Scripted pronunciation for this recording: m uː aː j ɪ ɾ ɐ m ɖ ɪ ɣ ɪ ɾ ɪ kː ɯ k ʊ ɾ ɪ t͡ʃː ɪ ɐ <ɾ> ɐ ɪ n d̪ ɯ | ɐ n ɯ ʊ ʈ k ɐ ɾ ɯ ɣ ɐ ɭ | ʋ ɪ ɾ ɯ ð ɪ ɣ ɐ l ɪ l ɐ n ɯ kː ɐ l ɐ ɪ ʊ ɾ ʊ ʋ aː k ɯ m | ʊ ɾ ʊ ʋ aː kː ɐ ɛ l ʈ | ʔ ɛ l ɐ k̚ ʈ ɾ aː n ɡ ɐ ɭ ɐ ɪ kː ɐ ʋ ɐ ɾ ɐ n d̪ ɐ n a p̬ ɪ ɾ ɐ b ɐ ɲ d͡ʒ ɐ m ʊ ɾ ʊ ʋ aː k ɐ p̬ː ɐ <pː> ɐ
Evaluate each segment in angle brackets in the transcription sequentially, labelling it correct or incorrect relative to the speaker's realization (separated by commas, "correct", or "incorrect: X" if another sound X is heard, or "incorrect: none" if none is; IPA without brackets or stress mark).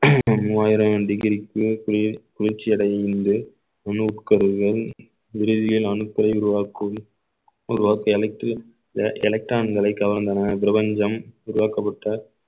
incorrect: ɽ, incorrect: ʈː